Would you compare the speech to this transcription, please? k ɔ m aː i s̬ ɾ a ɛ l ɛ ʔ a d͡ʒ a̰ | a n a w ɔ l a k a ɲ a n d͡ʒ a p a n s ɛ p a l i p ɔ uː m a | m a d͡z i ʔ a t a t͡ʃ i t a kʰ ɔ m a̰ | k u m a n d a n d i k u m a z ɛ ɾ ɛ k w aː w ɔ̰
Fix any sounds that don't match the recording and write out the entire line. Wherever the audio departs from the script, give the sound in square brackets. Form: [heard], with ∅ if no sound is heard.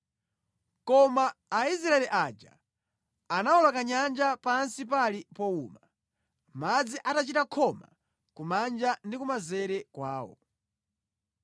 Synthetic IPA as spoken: k ɔ m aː i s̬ ɾ a ɛ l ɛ ʔ a d͡ʒ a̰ | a n a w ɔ l a k a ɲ a n d͡ʒ a p a n s [i] p a l i p ɔ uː m a | m a d͡z i ʔ a t a t͡ʃ i t a kʰ ɔ m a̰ | k u m a n [d͡ʒ] a n d i k u m a z ɛ ɾ ɛ k w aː w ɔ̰

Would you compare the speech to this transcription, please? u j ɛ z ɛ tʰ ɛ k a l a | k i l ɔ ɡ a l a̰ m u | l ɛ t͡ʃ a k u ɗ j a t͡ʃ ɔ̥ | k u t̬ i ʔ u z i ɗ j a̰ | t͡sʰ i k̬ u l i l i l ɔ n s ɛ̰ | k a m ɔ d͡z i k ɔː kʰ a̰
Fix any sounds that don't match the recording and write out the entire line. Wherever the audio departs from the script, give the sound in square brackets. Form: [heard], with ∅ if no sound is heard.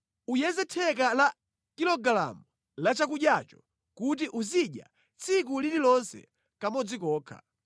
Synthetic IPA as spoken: u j ɛ z ɛ tʰ ɛ k a l a | k i l ɔ ɡ a l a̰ m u | l [a] t͡ʃ a k u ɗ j a t͡ʃ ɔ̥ | k u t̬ i ʔ u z i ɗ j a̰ | t͡sʰ i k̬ u l i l i l ɔ n s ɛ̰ | k a m ɔ d͡z i k ɔː kʰ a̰

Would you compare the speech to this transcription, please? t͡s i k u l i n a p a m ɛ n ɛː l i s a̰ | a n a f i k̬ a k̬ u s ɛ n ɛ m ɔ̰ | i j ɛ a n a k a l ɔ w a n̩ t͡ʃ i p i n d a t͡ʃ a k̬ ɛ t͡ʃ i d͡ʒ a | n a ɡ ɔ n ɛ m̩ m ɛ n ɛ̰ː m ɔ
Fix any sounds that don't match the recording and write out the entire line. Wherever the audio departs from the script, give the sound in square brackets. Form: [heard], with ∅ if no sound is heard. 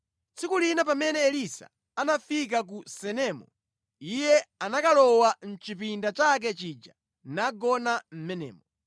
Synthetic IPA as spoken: t͡s i k u l i n a p a m ɛ n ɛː l i s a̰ | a n a f i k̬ a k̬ u s ɛ n ɛ m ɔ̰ | i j ɛ a n a k a l ɔ w a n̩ t͡ʃ i p i n d a t͡ʃ a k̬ ɛ t͡ʃ i d͡ʒ a | n a ɡ ɔ n [a] m̩ m ɛ n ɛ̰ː m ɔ

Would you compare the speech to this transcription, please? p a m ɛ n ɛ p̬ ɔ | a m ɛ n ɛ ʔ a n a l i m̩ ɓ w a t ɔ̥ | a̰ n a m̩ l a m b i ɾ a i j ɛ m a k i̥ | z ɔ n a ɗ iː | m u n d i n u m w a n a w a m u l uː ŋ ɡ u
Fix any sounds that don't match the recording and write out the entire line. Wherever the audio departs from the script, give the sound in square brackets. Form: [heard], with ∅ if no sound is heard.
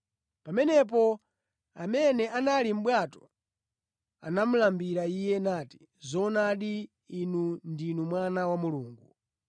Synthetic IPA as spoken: p a m ɛ n ɛ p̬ ɔ | a m ɛ n ɛ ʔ a n a l i m̩ ɓ w a t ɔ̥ | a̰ n a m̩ l a m b i ɾ a i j ɛ [n] a [t] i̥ | z ɔ n a ɗ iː | [n] u n d i n u m w a n a w a m u l uː ŋ ɡ u

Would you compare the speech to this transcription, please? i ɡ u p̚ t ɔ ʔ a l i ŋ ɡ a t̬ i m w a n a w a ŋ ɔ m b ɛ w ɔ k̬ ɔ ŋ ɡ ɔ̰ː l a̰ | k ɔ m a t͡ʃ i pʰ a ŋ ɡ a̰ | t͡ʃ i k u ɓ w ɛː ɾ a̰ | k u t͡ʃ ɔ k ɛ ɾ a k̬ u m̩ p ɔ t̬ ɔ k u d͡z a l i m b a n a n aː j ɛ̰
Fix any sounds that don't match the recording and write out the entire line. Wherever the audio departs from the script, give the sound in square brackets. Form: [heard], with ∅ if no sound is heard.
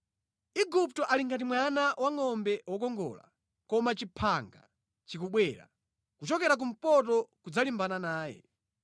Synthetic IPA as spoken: i ɡ u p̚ t ɔ ʔ a l i ŋ ɡ a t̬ i m w a n a w a ŋ ɔ m b ɛ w ɔ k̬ ɔ ŋ ɡ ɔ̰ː l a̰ | k ɔ m a t͡ʃ i pʰ a ŋ ɡ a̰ | t͡ʃ i k u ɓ w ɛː ɾ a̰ | k u t͡ʃ ɔ k ɛ ɾ a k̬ u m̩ p ɔ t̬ ɔ k u d͡z a l i m b a n a n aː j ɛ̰

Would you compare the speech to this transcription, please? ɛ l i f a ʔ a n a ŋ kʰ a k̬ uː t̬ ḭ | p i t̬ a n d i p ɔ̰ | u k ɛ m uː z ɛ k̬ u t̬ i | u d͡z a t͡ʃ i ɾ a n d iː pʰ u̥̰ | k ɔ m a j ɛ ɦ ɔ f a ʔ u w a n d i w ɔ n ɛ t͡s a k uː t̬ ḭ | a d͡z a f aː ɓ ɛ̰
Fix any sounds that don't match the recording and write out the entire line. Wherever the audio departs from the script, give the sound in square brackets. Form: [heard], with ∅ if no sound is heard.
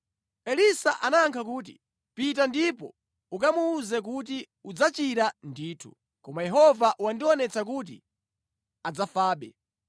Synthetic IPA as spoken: ɛ l i [s] a ʔ a n a ŋ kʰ a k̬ uː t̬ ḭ | p i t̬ a n d i p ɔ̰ | u k [a] m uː z ɛ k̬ u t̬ i | u d͡z a t͡ʃ i ɾ a n d iː [tʰ] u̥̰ | k ɔ m a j ɛ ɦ ɔ [v] a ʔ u w a n d i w ɔ n ɛ t͡s a k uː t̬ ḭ | a d͡z a f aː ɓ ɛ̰

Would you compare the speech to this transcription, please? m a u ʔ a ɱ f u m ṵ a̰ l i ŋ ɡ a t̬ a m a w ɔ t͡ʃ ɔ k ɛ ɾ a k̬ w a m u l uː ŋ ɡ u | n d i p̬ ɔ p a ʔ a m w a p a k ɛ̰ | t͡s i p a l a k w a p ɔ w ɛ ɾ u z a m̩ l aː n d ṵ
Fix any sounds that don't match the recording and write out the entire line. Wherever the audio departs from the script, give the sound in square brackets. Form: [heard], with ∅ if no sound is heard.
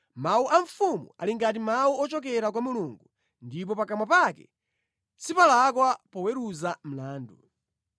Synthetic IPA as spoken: m a u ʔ a ɱ f u m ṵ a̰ l i ŋ ɡ a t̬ [i] m a [u] ɔ t͡ʃ ɔ k ɛ ɾ a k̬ w a m u l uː ŋ ɡ u | n d i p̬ ɔ p a [k] a m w a p a k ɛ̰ | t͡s i p a l a k w a p ɔ w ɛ ɾ u z a m̩ l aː n d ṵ

